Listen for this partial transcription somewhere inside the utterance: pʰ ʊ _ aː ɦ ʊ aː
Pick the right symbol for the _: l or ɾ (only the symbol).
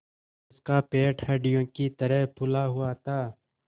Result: l